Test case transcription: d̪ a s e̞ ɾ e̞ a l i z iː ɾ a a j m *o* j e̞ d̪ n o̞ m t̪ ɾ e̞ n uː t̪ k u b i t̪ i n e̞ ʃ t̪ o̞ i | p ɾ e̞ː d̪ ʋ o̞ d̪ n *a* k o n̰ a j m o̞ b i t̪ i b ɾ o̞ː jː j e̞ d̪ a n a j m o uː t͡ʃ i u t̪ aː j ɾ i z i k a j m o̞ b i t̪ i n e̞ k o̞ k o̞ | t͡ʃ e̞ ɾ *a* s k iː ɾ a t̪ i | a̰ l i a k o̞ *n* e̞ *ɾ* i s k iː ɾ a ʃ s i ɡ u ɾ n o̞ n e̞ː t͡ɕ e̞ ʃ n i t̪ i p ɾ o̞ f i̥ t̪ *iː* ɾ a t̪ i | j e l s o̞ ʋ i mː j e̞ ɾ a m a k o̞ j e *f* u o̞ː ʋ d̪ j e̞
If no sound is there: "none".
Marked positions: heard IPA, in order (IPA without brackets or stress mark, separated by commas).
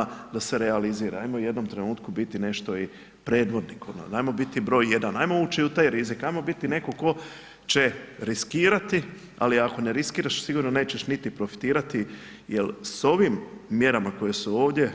o, i, i, n, ɾ, iː, s